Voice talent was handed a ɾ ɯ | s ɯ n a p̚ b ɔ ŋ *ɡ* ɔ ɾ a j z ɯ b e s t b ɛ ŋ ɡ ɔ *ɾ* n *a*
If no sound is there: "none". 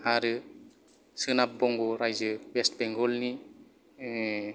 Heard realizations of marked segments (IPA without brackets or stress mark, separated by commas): ɡ, l, i